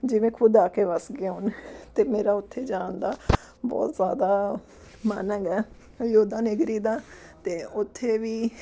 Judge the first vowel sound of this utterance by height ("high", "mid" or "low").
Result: high